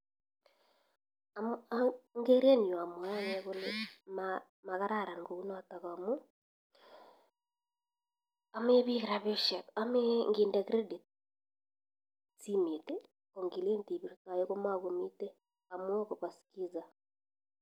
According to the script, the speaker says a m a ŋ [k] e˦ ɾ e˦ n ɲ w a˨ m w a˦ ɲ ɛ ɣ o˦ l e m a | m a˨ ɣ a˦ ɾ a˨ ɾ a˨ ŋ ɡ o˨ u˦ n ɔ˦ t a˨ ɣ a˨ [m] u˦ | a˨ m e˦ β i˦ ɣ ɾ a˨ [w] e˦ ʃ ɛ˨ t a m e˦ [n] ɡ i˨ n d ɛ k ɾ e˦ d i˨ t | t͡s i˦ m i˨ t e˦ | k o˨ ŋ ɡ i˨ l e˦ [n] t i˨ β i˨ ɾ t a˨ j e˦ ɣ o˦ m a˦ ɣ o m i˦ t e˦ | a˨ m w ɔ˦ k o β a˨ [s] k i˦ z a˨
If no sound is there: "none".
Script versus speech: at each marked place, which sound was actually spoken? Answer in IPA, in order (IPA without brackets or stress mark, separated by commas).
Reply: ɡ, m, β, ŋ, n, s